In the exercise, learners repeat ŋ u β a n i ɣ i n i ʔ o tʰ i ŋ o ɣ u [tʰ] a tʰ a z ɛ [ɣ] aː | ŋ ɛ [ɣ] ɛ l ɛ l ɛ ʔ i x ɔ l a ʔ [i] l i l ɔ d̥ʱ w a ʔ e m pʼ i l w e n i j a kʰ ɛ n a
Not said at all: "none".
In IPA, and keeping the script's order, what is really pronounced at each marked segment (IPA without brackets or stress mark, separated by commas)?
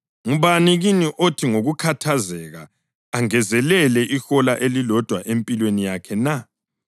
kʰ, ɣ, z, e